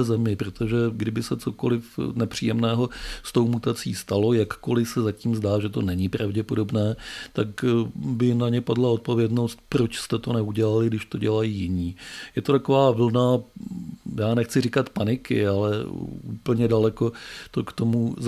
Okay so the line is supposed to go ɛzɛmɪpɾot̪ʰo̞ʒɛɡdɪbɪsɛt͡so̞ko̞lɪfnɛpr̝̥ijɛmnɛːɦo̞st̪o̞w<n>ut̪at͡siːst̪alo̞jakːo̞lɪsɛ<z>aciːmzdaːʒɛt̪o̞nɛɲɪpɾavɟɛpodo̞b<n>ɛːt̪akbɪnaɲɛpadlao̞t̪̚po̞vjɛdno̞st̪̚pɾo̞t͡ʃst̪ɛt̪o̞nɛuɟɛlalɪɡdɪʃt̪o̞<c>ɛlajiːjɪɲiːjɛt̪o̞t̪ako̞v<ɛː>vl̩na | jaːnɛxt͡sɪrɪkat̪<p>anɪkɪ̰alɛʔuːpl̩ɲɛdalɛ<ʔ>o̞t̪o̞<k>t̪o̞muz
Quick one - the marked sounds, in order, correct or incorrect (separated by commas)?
incorrect, correct, correct, incorrect, incorrect, correct, incorrect, correct